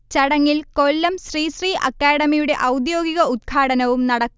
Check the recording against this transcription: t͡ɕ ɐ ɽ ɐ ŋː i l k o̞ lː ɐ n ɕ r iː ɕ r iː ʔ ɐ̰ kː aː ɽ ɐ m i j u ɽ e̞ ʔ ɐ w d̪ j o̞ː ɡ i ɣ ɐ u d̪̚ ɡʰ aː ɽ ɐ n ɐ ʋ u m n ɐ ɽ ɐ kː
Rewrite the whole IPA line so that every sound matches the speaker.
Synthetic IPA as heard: t͡ɕ ɐ ɽ ɐ ŋː i l k o̞ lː ɐ m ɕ r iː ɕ r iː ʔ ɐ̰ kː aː ɽ ɐ m i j u ɽ e̞ ʔ ɐ w d̪ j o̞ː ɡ i ɣ ɐ u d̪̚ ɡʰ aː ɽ ɐ n ɐ ʋ u m n ɐ ɽ ɐ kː